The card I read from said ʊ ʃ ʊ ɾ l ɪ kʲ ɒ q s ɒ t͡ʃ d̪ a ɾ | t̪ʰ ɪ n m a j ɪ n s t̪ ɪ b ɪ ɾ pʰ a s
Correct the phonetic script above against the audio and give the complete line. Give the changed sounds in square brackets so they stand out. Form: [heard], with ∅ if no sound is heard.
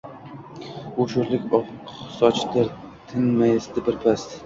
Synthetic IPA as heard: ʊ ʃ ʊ ɾ l ɪ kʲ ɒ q s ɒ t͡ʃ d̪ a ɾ | t̪ʰ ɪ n m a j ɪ [∅] s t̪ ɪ b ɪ ɾ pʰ a s